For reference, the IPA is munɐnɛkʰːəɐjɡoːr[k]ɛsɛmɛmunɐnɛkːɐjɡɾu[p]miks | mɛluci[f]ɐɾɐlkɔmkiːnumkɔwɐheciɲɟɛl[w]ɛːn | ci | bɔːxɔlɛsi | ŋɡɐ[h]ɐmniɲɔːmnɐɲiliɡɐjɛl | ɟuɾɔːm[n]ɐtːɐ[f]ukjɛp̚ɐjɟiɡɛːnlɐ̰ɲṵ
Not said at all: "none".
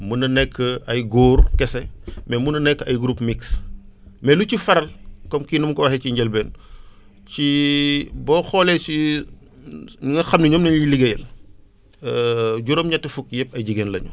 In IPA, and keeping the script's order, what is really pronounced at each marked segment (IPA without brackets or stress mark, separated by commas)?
k, p, f, b, x, ɲ, f